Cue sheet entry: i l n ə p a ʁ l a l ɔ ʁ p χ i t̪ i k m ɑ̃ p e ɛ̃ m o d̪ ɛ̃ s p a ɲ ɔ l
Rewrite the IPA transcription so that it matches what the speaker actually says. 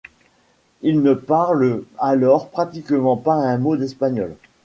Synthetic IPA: i l n ə p a ʁ l a l ɔ ʁ p χ a t̪ i k m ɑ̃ p a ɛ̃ m o d̪ ɛ s p a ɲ ɔ l